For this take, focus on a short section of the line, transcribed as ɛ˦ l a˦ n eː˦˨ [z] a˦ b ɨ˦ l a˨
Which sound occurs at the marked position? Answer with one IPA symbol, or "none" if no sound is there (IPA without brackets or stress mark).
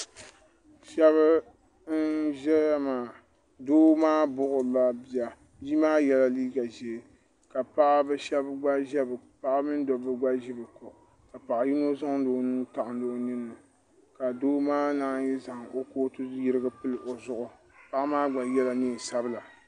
s